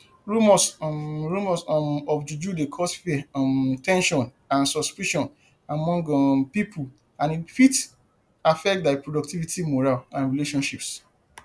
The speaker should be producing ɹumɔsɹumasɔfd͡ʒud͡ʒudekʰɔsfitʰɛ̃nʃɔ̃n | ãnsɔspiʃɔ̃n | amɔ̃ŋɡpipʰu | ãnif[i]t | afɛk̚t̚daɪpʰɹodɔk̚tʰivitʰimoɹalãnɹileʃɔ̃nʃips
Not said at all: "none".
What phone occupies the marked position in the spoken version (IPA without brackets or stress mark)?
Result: i